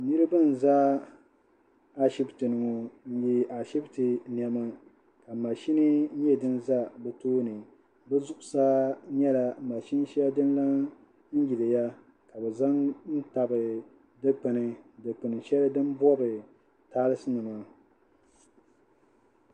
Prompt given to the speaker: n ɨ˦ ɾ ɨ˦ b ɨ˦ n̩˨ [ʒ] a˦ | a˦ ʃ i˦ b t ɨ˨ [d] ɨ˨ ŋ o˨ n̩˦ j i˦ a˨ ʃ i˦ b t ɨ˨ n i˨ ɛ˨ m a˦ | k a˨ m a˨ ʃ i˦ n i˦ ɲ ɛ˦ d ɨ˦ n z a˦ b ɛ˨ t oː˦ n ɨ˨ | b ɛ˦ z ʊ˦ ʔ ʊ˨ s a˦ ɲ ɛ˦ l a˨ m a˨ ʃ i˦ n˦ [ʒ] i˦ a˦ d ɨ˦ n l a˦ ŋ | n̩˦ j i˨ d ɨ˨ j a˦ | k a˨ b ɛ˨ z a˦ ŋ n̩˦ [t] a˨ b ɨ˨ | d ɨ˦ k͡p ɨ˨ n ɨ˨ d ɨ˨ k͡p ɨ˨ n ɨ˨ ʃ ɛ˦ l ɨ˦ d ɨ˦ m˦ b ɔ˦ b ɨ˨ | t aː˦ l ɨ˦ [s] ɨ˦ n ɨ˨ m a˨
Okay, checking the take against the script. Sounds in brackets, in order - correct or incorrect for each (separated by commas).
incorrect, incorrect, incorrect, correct, correct